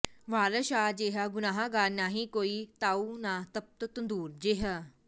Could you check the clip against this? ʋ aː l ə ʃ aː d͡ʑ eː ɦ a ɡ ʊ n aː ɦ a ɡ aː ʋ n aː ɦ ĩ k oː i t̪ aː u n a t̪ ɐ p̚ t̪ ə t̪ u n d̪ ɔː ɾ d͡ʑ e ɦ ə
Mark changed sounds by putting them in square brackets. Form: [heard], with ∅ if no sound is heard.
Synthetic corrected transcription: ʋ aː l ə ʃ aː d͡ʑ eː ɦ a ɡ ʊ n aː ɦ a ɡ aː [∅] n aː ɦ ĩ k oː i t̪ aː u n a t̪ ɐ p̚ t̪ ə t̪ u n d̪ [uː] ɾ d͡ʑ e ɦ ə